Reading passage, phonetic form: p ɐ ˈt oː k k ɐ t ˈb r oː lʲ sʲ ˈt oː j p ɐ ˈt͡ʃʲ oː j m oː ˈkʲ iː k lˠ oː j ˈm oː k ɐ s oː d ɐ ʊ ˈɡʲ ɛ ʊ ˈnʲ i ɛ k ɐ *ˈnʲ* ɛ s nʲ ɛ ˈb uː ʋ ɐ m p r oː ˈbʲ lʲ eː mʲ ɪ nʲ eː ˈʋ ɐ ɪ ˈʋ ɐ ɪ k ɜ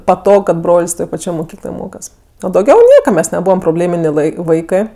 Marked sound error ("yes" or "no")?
yes